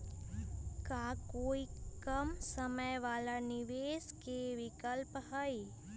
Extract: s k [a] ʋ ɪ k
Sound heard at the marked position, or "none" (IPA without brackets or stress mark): e